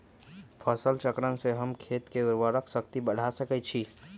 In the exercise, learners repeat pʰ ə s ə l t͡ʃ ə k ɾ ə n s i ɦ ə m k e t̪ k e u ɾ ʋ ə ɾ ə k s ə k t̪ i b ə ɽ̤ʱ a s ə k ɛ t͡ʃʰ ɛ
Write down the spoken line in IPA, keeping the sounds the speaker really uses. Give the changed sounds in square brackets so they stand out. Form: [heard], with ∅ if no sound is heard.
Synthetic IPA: pʰ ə s ə l t͡ʃ ə k ɾ ə n s [e] ɦ ə m [kʰ] e t̪ k e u ɾ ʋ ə ɾ ə k s ə k t̪ i b ə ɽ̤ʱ a s ə k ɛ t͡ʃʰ [i]